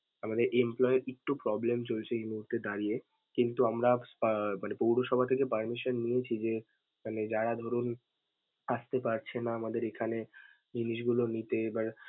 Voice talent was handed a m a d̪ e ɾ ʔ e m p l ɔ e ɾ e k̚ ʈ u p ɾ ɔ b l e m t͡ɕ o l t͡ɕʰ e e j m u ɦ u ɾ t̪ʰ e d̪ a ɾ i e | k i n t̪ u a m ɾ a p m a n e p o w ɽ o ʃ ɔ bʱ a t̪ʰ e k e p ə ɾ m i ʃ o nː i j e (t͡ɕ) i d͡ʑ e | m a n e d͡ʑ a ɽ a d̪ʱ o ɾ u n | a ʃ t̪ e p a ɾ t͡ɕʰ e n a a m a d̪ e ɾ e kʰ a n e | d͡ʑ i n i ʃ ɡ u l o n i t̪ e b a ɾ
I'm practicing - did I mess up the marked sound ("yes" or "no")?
yes